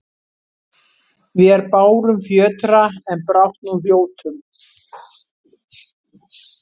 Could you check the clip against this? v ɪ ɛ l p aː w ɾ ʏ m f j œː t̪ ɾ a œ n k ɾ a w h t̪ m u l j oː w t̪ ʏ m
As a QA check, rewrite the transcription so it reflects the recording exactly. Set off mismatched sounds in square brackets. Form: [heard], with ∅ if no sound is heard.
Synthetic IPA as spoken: v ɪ ɛ [ɾ] p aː w ɾ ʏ m f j œː t̪ ɾ a [ɛ] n [p] ɾ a w h t̪ [n] u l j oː w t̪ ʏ m